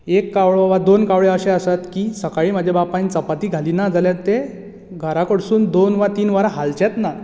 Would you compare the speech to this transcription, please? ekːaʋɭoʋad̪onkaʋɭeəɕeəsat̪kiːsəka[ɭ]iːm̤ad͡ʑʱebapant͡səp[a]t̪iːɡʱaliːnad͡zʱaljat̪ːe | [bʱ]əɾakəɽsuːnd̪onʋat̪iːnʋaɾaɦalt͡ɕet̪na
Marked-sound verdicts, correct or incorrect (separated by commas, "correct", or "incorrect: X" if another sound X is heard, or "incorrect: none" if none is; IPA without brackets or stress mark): correct, correct, incorrect: ɡʱ